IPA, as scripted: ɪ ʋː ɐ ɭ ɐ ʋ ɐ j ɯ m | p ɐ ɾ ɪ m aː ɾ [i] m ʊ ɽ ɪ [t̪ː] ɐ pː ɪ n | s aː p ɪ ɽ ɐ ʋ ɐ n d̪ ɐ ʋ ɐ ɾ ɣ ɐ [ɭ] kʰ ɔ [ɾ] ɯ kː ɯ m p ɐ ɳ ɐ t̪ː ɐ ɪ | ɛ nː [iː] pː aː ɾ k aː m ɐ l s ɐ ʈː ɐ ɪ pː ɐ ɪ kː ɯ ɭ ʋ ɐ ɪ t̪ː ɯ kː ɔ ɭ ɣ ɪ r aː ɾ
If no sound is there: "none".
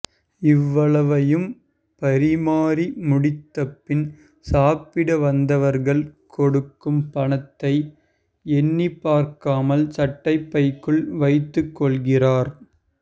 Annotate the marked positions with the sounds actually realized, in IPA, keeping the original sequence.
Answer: i, t̪ː, ɭ, ɽ, i

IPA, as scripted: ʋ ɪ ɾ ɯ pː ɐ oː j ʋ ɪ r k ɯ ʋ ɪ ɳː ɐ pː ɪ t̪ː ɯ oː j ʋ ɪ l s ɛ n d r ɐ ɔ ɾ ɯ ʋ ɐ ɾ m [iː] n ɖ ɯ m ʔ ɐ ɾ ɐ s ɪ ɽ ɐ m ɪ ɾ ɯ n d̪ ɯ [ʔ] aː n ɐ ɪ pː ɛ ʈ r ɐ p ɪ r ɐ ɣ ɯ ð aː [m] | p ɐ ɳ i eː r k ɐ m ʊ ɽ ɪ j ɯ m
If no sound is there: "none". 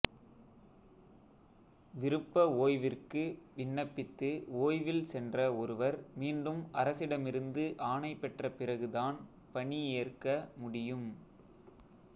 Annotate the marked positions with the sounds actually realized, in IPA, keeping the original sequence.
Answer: iː, ʔ, n

